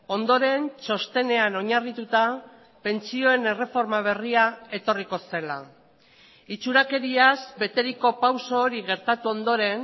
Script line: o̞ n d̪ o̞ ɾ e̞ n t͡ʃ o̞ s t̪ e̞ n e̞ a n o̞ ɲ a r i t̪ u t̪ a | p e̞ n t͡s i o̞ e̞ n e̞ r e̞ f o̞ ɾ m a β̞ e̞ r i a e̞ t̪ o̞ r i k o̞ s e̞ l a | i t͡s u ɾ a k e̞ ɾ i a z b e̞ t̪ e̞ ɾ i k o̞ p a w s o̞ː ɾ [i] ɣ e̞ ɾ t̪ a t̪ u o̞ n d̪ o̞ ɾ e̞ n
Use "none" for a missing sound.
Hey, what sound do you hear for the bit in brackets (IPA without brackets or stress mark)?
i